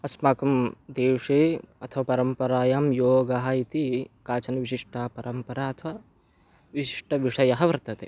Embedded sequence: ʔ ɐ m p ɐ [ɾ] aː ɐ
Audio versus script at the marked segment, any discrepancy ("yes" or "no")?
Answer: no